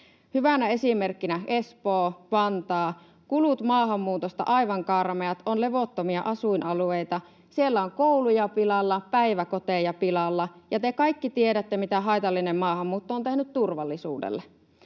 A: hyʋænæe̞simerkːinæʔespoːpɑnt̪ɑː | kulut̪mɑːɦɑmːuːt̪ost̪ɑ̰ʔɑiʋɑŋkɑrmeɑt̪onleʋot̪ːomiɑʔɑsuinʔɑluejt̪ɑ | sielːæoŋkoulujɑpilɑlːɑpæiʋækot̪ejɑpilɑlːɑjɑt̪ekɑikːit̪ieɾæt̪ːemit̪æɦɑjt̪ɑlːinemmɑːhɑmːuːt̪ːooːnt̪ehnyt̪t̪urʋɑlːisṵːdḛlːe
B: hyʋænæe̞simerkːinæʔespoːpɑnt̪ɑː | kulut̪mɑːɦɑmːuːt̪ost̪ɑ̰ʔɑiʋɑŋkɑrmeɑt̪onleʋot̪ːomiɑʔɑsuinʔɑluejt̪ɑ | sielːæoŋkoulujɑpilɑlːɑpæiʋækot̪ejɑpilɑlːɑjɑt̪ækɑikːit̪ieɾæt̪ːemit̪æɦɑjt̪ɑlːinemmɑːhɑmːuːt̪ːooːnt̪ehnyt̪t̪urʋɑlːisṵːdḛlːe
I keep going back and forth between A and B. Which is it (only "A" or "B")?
A